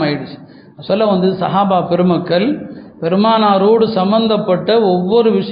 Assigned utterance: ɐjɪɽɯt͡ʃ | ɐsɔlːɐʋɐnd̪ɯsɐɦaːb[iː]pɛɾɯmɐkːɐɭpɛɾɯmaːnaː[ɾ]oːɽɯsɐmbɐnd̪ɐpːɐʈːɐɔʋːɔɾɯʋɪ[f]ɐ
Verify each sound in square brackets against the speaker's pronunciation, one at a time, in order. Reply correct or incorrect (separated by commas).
incorrect, correct, incorrect